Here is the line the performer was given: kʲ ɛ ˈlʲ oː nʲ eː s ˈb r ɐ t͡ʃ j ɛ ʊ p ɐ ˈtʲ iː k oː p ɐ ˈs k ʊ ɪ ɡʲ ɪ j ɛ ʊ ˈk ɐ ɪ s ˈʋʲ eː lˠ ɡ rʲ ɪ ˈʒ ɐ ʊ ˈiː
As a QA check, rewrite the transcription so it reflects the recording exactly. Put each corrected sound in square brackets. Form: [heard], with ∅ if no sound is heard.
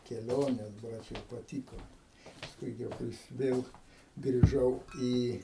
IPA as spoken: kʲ ɛ ˈlʲ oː nʲ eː s ˈb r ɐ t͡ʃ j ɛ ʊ p ɐ ˈtʲ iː k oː p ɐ ˈs k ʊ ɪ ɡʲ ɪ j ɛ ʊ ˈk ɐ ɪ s ˈʋʲ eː lˠ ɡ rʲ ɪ ˈʒ ɐ ʊ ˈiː